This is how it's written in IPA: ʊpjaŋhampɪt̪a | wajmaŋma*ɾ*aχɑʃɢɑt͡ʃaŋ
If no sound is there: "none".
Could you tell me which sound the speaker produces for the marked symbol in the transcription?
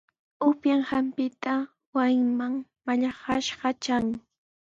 ʎ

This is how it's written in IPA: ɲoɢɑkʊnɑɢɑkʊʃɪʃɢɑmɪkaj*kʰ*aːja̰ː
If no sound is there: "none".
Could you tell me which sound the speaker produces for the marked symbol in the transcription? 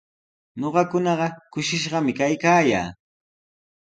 k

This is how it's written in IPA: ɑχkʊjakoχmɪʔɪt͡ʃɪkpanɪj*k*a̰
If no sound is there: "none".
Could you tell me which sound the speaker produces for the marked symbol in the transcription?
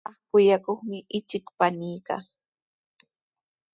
k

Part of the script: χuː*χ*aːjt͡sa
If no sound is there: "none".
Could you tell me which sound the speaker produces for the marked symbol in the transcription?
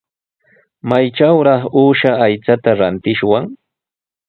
ʃ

